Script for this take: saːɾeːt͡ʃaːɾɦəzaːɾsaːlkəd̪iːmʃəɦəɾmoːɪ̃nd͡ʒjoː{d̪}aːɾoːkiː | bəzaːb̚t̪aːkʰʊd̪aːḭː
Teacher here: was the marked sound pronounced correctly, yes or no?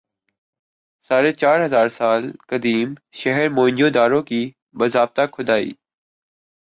yes